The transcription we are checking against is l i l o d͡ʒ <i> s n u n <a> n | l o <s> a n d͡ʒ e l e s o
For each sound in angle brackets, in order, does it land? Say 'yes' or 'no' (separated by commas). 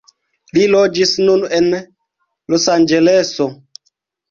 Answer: yes, no, yes